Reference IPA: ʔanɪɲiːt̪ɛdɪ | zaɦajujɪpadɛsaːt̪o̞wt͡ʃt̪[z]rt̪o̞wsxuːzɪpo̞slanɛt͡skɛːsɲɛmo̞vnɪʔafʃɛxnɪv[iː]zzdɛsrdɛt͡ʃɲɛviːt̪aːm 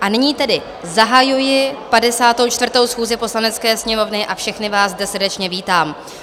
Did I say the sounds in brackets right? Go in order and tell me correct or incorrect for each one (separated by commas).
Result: incorrect, incorrect